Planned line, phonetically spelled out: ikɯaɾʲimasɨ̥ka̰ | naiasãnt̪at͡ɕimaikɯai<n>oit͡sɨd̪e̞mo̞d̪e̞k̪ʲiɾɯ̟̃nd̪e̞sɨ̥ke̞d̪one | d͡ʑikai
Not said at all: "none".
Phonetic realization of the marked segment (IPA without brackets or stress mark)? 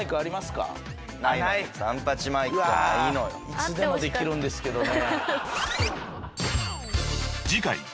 n